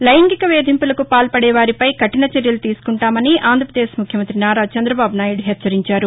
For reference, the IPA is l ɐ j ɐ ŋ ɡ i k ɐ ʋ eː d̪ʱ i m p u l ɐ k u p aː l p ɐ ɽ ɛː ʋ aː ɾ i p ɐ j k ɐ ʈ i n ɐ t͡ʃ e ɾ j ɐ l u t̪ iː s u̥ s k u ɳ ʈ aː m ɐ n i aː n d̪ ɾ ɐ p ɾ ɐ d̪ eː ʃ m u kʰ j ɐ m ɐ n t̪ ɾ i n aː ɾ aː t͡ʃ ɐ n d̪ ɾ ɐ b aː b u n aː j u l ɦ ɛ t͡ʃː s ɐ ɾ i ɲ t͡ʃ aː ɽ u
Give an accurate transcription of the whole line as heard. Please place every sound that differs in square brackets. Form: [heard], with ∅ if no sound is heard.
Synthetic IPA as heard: l ɐ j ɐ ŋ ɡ i k ɐ ʋ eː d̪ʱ i m p u l ɐ k u p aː l p ɐ ɽ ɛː ʋ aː ɾ i p ɐ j k ɐ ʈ i n ɐ t͡ʃ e ɾ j ɐ l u t̪ iː s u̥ [∅] k u ɳ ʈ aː m ɐ n i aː n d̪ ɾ ɐ p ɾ ɐ d̪ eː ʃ m u kʰ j ɐ m ɐ n t̪ ɾ i n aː ɾ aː t͡ʃ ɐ n d̪ ɾ ɐ b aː b u n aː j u [ɽ] ɦ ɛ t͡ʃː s ɐ ɾ i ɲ t͡ʃ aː [ɾ] u